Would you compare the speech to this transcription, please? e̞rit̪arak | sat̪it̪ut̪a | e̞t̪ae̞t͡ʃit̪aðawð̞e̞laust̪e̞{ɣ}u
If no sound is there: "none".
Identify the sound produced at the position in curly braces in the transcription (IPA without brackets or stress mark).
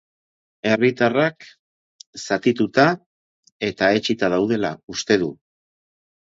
ð